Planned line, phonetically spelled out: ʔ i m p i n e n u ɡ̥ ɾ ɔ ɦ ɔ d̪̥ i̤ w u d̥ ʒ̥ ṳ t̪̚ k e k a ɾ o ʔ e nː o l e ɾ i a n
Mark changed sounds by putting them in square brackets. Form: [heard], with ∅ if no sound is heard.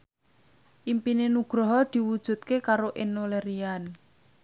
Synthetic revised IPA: ʔ i m p i n e n u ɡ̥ ɾ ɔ ɦ ɔ d̪̥ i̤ w u d̥ ʒ̥ ṳ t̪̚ k e k a ɾ o ʔ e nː o l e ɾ i a n